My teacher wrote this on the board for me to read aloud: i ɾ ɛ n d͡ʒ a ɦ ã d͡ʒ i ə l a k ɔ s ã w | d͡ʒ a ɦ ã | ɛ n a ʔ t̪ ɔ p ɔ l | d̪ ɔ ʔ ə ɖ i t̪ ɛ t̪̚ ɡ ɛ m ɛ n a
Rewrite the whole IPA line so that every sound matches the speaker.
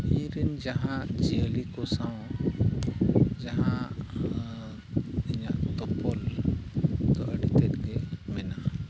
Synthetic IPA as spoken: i ɾ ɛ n d͡ʒ a ɦ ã d͡ʒ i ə l i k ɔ s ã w | d͡ʒ a ɦ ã | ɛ ɲ a ʔ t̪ ɔ p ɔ l | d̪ ɔ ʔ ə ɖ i t̪ ɛ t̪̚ ɡ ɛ m ɛ n a